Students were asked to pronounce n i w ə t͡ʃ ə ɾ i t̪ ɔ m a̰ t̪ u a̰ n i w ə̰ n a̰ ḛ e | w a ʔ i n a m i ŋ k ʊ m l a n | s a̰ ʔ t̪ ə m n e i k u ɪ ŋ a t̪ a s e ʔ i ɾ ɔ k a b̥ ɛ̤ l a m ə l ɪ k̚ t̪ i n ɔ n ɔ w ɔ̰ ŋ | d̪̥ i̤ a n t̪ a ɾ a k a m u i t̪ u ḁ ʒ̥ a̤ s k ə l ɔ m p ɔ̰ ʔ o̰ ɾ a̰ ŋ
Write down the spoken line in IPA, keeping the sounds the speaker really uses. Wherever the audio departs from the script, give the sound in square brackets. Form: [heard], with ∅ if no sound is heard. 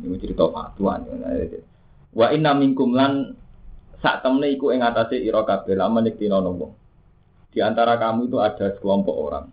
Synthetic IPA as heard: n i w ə t͡ʃ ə ɾ i t̪ ɔ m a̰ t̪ u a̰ n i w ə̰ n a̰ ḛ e | w a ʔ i n a m i ŋ k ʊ m l a n | s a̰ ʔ t̪ ə m n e i k u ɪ ŋ a t̪ a s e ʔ i ɾ ɔ k a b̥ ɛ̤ l a m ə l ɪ k̚ t̪ i n ɔ n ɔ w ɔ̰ ŋ | d̪̥ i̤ a n t̪ a ɾ a k a m u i t̪ u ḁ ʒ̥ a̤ s k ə l ɔ m p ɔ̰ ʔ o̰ ɾ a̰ ŋ